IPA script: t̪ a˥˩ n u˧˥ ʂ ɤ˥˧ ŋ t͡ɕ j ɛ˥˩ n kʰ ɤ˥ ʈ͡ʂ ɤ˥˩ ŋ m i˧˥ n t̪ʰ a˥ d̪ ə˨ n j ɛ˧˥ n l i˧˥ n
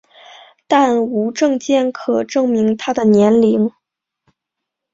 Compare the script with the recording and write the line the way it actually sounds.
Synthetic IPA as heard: t̪ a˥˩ n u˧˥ ʈ͡ʂ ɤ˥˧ ŋ t͡ɕ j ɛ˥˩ n kʰ ɤ˨˩ ʈ͡ʂ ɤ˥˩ ŋ m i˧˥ ŋ t̪ʰ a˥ d̪ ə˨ n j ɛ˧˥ n l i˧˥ ŋ

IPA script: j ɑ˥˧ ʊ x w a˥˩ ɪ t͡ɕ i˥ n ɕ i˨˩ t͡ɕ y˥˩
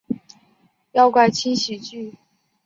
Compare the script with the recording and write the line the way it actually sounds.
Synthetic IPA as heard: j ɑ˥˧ ʊ k w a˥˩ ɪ t͡ɕʰ i˥ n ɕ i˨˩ t͡ɕ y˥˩

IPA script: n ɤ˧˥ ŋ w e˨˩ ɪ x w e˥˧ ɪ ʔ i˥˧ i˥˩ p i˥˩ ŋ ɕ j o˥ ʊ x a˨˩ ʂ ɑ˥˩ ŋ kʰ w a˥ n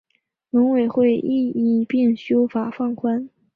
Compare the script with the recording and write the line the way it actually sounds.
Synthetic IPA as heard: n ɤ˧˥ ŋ w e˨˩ ɪ x w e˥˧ ɪ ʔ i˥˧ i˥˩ p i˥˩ ŋ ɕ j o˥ ʊ f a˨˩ f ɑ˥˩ ŋ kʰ w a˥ n

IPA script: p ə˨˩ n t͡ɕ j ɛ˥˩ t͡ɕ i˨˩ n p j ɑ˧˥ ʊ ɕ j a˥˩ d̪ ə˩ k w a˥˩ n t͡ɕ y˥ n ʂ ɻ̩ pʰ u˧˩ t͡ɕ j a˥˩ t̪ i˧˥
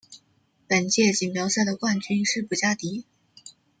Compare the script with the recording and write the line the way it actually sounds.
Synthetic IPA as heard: p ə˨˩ n t͡ɕ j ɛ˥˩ t͡ɕ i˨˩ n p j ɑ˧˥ ʊ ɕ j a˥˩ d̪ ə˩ k w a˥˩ n t͡ɕ y˥ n ʂ ɻ̩ p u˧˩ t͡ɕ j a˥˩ t̪ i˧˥

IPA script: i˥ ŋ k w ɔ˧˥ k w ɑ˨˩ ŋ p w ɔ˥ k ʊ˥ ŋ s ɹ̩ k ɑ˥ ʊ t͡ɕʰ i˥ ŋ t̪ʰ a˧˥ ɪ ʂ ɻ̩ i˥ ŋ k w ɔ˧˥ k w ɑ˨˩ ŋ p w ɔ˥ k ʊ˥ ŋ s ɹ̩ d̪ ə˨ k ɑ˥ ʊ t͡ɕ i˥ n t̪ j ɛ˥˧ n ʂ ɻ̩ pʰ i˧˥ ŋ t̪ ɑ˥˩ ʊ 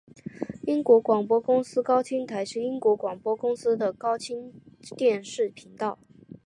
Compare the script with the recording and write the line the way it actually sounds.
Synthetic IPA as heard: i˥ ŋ k w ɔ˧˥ k w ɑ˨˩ ŋ p w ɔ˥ k ʊ˥ ŋ s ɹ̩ k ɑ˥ ʊ t͡ɕʰ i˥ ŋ t̪ʰ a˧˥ ɪ ʂ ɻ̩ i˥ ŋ k w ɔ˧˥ k w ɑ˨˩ ŋ p w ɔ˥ k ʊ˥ ŋ s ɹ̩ d̪ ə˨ k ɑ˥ ʊ t͡ɕʰ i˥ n t̪ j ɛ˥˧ n ʂ ɻ̩ pʰ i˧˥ ŋ t̪ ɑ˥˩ ʊ

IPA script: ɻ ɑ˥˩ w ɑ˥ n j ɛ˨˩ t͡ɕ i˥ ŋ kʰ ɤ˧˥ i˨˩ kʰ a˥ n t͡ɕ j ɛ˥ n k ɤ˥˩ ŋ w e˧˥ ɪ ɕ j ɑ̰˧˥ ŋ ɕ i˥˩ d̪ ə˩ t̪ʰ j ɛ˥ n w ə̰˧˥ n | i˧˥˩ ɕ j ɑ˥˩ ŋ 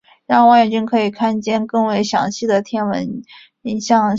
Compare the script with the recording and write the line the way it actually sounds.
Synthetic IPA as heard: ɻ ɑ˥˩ w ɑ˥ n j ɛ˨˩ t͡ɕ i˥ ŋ kʰ ɤ˧˥ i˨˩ kʰ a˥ n t͡ɕ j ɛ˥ n k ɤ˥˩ ŋ w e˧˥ ɪ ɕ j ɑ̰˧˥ ŋ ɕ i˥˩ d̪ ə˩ t̪ʰ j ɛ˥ n w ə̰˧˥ n | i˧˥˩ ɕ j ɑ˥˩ ŋ

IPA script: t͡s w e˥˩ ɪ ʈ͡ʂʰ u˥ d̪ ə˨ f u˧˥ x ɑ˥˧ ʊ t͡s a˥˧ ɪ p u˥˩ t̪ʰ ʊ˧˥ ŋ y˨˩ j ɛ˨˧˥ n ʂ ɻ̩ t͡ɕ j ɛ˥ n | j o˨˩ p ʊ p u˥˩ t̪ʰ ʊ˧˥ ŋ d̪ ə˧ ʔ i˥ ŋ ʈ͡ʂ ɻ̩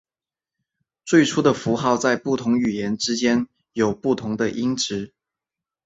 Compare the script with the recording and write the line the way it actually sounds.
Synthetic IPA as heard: t͡s w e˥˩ ɪ ʈ͡ʂʰ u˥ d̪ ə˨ f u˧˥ x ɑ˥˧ ʊ t͡s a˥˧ ɪ p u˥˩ t̪ʰ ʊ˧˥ ŋ y˨˩ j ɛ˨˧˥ n ʈ͡ʂ ɻ̩ t͡ɕ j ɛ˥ n | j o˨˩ ʊ p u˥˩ t̪ʰ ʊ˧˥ ŋ d̪ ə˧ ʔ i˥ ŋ ʈ͡ʂ ɻ̩

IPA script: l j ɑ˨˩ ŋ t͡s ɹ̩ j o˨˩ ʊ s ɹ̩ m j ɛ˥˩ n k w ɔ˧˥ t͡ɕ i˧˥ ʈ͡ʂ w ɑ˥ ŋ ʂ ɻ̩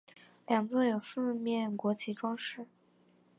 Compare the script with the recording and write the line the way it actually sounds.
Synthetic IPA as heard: l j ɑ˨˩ ŋ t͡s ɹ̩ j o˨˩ ʊ s ɹ̩ m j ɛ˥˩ n k w ɔ˧˥ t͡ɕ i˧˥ ʈ͡ʂ w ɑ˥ ŋ ʂ ɻ̩

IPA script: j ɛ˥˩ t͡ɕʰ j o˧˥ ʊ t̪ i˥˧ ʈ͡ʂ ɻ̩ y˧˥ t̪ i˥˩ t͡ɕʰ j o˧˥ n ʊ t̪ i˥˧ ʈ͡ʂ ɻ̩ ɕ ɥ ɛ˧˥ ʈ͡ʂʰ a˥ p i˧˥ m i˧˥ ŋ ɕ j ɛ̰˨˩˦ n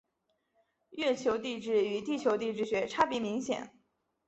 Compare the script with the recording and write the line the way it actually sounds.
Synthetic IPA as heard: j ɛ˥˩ t͡ɕʰ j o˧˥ ʊ t̪ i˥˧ ʈ͡ʂ ɻ̩ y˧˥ t̪ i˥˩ t͡ɕʰ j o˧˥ ʊ t̪ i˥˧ ʈ͡ʂ ɻ̩ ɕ ɥ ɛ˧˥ ʈ͡ʂʰ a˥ p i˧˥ m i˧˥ ŋ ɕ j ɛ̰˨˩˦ n

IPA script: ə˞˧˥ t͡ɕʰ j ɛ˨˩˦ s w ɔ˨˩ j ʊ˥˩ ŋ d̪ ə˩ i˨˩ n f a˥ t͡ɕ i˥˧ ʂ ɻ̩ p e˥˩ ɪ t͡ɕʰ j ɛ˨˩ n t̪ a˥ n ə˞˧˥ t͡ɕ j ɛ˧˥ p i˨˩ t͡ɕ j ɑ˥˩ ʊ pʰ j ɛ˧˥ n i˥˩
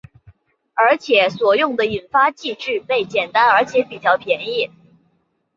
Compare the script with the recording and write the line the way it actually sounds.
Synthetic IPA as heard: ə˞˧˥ t͡ɕʰ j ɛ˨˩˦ s w ɔ˨˩ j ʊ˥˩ ŋ d̪ ə˩ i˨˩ n f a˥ t͡ɕ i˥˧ ʈ͡ʂ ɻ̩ p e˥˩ ɪ t͡ɕ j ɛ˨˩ n t̪ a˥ n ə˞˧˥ t͡ɕʰ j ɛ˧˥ p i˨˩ t͡ɕ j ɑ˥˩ ʊ pʰ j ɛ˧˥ n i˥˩

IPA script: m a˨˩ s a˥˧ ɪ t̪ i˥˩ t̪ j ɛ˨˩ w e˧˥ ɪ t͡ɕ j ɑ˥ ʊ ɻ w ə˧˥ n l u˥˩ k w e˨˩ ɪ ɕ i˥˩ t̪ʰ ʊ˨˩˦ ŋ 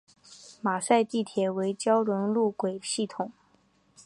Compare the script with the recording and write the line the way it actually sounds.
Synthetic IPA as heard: m a˨˩ s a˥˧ ɪ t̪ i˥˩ t̪ʰ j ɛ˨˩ w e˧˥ ɪ t͡ɕ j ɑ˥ ʊ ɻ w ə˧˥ n l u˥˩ k w e˨˩ ɪ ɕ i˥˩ t̪ʰ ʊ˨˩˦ ŋ

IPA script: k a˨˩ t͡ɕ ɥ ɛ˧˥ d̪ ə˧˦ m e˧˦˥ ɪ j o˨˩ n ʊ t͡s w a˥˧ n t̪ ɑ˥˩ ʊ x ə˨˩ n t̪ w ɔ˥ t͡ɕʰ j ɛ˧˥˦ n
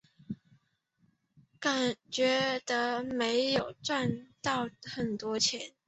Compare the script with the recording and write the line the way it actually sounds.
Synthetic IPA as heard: k a˨˩ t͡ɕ ɥ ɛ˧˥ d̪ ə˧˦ m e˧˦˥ ɪ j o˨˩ ʊ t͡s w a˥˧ n t̪ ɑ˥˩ ʊ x ə˨˩ n t̪ w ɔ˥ t͡ɕʰ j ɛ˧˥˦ n

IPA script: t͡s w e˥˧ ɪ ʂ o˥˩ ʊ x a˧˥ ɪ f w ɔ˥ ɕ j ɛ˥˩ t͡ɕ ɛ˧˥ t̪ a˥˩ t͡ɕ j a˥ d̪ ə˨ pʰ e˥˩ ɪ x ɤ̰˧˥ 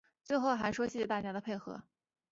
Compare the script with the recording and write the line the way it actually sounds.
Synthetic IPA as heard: t͡s w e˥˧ ɪ x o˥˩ ʊ x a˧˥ ɪ ʂ w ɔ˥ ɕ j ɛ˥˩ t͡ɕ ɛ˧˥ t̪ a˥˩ t͡ɕ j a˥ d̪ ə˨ pʰ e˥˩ ɪ x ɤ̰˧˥

